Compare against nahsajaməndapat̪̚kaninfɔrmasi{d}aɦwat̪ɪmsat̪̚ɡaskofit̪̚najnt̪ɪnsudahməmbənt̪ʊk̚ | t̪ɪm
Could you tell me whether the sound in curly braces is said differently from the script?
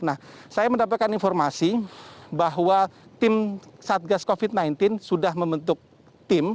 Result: yes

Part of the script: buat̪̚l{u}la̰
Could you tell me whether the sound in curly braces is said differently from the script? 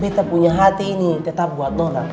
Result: yes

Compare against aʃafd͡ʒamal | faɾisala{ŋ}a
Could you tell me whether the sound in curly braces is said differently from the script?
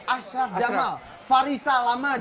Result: yes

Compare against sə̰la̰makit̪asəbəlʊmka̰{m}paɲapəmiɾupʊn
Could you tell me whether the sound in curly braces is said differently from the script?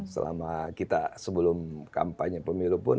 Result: no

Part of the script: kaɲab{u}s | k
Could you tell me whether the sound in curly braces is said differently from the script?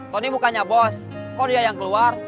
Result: yes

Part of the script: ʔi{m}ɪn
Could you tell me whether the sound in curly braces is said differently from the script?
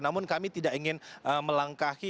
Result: yes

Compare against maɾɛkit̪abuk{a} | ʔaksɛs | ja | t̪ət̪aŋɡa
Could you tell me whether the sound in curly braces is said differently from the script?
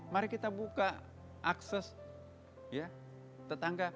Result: no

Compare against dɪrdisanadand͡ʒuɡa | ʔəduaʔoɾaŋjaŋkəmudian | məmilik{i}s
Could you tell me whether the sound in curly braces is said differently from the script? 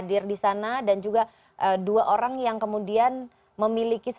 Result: no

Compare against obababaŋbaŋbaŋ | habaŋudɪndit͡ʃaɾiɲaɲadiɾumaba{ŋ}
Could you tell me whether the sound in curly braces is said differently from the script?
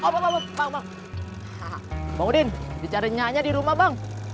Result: no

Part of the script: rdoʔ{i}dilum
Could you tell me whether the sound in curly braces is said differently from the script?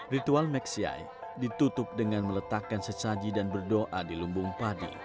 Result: yes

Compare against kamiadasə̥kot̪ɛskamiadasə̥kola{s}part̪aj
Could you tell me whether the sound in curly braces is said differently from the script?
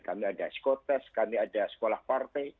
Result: yes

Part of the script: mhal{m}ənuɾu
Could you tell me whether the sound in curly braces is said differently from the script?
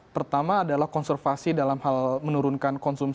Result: no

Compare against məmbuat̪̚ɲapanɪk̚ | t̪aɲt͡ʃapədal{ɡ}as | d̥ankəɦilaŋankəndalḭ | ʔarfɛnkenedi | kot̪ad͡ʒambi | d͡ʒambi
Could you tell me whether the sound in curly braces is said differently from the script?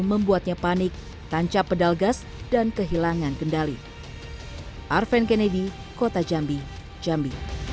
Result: no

